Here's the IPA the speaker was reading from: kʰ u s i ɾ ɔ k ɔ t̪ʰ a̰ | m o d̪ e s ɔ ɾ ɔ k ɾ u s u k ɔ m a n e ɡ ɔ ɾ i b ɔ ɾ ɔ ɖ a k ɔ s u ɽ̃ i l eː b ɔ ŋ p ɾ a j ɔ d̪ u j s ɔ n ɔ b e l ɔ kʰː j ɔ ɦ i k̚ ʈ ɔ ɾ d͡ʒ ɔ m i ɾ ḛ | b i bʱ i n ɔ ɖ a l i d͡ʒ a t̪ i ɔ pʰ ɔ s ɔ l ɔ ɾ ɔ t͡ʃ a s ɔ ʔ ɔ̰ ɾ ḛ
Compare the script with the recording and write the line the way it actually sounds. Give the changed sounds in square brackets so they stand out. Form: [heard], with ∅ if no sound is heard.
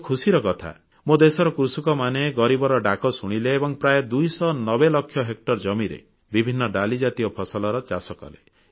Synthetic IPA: kʰ u s i ɾ ɔ k ɔ t̪ʰ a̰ | m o d̪ e s ɔ ɾ ɔ k ɾ u s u k ɔ m a n e ɡ ɔ ɾ i b ɔ ɾ ɔ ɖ a k ɔ s u ɽ̃ i l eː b ɔ ŋ p ɾ a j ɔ d̪ u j s ɔ n ɔ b e l ɔ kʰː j ɔ ɦ [e] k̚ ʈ ɔ ɾ d͡ʒ ɔ m i ɾ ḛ | b i bʱ i [nː] ɔ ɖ a l i d͡ʒ a t̪ i ɔ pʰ ɔ s ɔ l ɔ ɾ ɔ t͡ʃ a s ɔ [k] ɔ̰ [l] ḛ